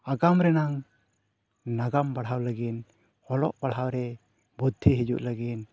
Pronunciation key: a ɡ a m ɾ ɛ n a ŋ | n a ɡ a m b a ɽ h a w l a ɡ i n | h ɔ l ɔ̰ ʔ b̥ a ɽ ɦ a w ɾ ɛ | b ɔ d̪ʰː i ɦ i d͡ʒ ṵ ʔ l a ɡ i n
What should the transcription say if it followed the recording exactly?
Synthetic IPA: a ɡ a m ɾ ɛ n a ŋ | n a ɡ a m b a ɽ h a w l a ɡ i n | h ɔ l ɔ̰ ʔ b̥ a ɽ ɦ a w ɾ ɛ | b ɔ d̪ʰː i ɦ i d͡ʒ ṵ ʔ l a ɡ i n

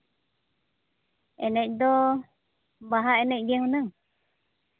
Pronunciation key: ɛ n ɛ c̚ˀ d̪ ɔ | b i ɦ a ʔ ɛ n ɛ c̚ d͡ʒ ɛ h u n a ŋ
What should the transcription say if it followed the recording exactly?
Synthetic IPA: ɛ n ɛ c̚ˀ d̪ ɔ | b a ɦ a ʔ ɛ n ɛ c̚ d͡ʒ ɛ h u n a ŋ

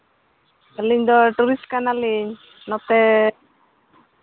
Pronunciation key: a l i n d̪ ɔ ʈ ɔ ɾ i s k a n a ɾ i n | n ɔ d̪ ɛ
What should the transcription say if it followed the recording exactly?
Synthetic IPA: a l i ɲ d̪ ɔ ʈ u ɾ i s k a n a l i ɲ | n ɔ t̪ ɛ

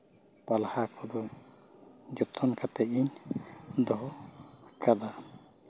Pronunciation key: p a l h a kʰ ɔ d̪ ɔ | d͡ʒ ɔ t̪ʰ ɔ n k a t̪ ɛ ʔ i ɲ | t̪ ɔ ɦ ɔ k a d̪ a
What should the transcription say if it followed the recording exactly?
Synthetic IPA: p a l h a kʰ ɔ d̪ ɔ | d͡ʒ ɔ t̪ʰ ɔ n k a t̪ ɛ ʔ i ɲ | d̪ ɔ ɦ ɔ k a d̪ a

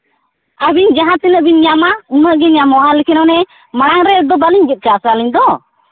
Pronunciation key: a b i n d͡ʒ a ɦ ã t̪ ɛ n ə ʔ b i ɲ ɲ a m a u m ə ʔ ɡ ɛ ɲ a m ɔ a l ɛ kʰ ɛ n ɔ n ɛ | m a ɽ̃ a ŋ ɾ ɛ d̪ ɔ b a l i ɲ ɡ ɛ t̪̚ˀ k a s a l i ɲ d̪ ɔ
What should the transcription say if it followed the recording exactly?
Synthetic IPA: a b i ɲ d͡ʒ a ɦ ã t̪ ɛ n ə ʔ b i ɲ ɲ a m a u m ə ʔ ɡ ɛ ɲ a m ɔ a l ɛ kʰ ɛ n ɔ n ɛ | m a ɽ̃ a ŋ ɾ ɛ d̪ ɔ b a l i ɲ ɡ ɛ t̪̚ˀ k a s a l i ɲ d̪ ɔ

